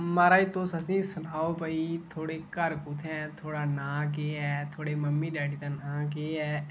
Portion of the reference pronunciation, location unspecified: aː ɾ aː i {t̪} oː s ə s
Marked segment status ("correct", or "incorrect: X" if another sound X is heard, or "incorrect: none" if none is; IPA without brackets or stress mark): correct